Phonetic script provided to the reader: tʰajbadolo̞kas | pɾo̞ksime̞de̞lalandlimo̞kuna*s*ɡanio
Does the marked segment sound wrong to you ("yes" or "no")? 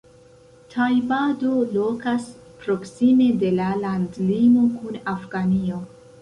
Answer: yes